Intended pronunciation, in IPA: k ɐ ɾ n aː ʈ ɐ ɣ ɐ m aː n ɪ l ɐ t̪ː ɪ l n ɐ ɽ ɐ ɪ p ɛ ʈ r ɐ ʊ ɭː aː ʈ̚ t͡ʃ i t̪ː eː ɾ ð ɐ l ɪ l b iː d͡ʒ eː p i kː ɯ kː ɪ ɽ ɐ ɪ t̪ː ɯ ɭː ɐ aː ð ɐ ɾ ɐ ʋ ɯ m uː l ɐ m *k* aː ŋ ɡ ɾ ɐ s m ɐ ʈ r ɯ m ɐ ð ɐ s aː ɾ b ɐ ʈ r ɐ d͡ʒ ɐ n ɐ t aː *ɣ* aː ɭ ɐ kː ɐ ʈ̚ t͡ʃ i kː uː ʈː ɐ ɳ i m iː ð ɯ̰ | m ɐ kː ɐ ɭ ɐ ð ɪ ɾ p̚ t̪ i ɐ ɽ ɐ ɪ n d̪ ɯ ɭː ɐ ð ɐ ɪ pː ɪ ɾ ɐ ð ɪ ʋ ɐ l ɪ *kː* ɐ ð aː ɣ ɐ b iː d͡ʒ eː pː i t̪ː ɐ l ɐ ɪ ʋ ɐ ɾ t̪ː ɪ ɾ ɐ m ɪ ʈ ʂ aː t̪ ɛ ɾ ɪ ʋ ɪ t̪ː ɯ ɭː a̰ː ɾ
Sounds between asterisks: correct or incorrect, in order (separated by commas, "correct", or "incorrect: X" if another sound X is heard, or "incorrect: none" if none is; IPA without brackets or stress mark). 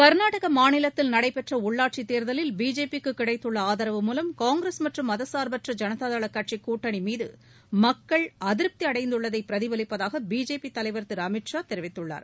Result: correct, incorrect: ð, incorrect: pː